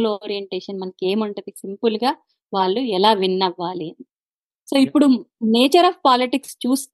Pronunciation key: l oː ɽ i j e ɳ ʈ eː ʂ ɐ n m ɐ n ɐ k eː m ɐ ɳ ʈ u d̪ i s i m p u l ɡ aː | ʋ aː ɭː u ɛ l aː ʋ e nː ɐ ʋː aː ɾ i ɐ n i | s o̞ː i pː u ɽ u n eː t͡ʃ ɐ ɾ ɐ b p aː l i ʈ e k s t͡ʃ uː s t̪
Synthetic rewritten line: l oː ɾ i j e ɳ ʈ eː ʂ ɐ n m ɐ n ɐ k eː m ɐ ɳ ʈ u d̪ i s i m p u l ɡ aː | ʋ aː ɭː u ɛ l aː ʋ i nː ɐ ʋː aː l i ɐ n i | s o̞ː i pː u ɽ u n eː t͡ʃ ɐ ɾ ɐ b p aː l i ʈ i k s t͡ʃ uː s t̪